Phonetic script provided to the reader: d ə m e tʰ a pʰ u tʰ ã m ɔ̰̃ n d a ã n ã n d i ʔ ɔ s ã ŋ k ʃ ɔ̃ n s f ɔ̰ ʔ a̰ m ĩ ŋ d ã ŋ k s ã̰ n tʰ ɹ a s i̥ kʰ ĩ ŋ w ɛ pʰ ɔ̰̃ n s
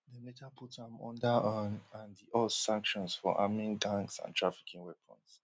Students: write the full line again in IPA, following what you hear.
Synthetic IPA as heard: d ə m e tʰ a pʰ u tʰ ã m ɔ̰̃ n d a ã n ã n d i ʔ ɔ s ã ŋ k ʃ ɔ̃ n s f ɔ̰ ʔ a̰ m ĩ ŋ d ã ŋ k s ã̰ n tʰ ɹ a f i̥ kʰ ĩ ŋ w ɛ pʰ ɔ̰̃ n s